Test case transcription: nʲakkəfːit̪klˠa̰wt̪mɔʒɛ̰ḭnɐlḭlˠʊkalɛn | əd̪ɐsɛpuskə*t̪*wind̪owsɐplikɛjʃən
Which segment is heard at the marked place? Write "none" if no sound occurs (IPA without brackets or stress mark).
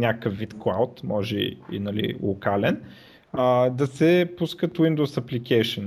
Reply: t̪